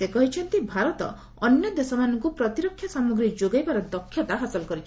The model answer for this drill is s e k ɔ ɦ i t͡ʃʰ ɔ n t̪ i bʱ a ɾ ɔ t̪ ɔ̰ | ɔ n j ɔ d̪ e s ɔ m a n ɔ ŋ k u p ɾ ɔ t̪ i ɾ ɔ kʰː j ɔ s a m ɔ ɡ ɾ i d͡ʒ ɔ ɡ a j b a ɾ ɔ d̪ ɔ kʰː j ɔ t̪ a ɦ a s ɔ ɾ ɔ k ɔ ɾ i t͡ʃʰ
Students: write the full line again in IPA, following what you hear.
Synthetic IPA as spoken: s e k ɔ ɦ i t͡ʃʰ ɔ n t̪ i bʱ a ɾ ɔ t̪ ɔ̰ | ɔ n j ɔ d̪ e s ɔ m a n ɔ ŋ k u p ɾ ɔ t̪ i ɾ ɔ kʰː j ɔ s a m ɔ ɡ ɾ i d͡ʒ o ɡ a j b a ɾ ɔ d̪ ɔ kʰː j ɔ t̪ a ɦ a s ɔ l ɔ k ɔ ɾ i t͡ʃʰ